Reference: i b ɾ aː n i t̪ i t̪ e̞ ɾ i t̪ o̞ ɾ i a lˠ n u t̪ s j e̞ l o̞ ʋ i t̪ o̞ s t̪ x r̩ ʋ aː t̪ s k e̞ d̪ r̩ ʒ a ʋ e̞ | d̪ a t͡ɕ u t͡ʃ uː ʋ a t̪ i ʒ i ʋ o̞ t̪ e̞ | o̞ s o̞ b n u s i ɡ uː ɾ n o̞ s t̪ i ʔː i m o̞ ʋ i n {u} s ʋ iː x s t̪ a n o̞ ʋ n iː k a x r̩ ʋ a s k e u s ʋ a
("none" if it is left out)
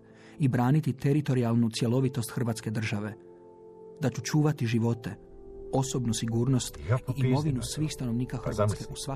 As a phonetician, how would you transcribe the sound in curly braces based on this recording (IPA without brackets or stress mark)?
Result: u